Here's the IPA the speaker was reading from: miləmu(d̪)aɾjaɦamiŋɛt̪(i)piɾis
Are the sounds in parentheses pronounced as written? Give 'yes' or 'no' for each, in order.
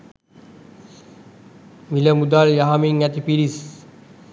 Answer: yes, yes

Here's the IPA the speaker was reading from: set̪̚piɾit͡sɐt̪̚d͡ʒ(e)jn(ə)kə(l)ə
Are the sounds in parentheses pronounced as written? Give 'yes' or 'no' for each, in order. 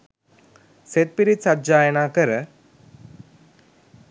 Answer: no, no, no

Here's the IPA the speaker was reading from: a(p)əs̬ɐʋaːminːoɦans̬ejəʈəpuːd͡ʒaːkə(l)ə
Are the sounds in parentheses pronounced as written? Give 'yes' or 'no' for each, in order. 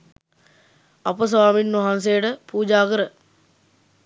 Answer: yes, no

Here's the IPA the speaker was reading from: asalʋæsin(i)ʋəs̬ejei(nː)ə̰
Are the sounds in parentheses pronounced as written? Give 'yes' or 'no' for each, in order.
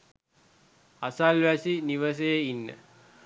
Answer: yes, yes

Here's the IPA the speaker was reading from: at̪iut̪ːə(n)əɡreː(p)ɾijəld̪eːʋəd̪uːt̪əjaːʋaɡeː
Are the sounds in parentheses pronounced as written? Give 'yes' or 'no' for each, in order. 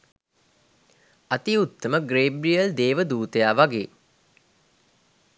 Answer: no, no

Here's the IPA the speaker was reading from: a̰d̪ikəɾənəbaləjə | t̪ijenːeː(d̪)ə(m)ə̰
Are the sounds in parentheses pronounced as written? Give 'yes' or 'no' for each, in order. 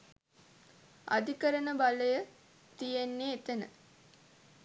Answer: no, no

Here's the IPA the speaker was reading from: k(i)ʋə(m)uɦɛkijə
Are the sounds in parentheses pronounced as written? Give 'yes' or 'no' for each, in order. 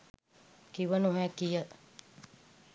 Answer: yes, no

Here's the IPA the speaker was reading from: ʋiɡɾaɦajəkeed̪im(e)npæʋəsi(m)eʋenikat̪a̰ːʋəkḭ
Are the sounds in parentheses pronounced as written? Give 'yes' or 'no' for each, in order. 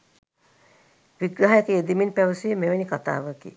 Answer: no, yes

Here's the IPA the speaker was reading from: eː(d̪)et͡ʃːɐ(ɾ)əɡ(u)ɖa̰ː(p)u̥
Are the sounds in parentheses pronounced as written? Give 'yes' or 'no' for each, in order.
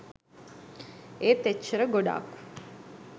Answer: no, yes, no, no

